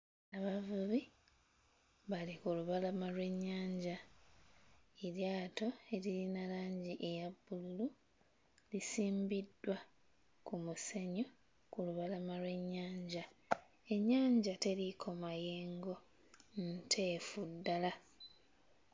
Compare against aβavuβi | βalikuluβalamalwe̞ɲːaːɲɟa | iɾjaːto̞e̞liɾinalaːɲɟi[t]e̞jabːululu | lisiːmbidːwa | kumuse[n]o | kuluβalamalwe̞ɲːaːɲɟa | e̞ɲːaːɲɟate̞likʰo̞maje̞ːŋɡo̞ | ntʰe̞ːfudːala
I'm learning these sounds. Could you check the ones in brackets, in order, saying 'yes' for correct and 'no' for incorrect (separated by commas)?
no, no